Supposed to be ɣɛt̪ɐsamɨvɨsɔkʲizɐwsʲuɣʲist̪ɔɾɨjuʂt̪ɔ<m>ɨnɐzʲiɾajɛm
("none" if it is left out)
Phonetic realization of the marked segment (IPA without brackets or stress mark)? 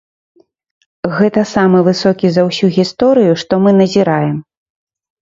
m